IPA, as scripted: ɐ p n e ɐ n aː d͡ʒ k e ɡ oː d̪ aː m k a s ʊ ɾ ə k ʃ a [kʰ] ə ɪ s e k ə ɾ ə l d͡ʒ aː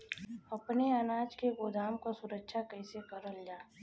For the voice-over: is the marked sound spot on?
no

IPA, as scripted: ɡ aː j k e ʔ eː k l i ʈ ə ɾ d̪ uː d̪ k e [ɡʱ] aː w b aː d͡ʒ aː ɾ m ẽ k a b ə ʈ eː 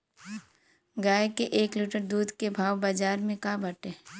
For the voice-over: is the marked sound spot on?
no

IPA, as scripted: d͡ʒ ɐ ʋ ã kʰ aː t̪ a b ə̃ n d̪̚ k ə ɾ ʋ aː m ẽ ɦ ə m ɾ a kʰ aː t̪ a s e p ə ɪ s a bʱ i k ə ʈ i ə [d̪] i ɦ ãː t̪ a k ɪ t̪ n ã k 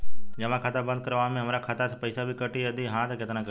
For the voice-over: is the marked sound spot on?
yes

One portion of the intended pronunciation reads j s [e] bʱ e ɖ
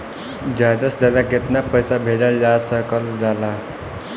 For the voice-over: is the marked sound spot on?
no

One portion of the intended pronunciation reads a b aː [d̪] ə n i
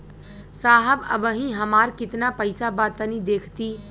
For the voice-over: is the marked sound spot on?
no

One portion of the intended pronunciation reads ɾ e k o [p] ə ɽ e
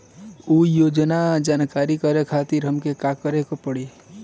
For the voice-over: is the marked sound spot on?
yes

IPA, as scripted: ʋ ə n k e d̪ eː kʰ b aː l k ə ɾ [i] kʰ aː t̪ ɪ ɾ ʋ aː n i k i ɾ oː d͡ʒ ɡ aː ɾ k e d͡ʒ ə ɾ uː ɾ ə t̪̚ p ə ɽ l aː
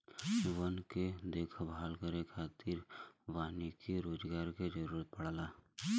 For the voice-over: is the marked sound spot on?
no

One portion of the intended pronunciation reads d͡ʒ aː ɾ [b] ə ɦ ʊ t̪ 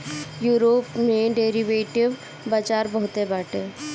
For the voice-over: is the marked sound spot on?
yes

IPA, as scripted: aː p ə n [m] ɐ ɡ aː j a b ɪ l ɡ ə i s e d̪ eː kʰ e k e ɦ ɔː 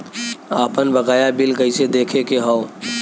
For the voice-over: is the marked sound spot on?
no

